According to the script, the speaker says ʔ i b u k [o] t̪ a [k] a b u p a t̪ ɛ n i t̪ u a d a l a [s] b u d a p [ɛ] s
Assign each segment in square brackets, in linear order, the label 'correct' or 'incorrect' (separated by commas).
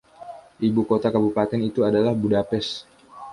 correct, correct, incorrect, correct